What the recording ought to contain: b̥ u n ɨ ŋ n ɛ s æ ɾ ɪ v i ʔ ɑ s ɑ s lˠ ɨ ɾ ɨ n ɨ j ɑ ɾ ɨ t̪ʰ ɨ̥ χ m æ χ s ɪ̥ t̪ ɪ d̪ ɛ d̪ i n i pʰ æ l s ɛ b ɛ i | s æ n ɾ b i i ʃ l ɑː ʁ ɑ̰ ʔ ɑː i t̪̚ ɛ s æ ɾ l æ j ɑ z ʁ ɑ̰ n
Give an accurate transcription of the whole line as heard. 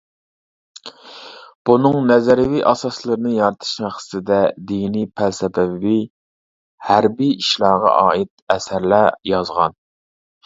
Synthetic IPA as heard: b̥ u n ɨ ŋ n ɛ z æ ɾ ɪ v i ʔ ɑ s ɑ s lˠ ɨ ɾ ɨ n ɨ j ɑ ɾ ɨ t̪ʰ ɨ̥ ʃ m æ χ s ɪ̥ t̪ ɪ d̪ ɛ d̪ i n i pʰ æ l s ɛ b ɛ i | h æ ɾ b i i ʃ l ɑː ʁ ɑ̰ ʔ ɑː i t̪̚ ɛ s æ ɾ l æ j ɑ z ʁ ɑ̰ n